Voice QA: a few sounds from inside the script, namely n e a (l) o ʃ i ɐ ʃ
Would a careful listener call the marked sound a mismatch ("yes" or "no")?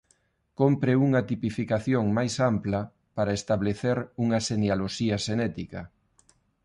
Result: no